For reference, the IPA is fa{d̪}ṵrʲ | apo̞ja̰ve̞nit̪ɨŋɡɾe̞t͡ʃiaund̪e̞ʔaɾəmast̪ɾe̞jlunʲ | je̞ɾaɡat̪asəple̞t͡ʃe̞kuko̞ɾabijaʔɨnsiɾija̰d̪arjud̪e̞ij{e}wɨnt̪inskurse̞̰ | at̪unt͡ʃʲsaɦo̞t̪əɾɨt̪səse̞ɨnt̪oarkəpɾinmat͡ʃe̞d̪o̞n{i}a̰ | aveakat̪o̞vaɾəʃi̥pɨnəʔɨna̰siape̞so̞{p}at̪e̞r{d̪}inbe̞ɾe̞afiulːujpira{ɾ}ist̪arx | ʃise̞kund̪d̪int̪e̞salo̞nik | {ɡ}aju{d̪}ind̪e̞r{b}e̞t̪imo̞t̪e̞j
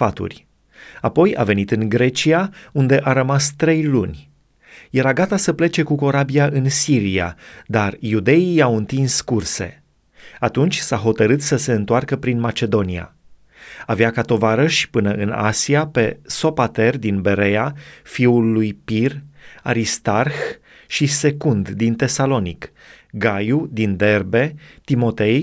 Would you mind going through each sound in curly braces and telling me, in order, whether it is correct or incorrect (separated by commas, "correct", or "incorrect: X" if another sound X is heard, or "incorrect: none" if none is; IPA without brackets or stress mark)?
incorrect: t̪, incorrect: a, correct, correct, correct, correct, correct, correct, correct